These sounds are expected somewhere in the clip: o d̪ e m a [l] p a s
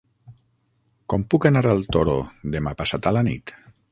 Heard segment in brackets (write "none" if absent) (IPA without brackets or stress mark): none